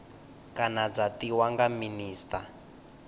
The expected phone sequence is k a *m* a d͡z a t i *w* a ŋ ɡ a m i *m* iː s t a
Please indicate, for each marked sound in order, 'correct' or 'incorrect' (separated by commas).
incorrect, correct, incorrect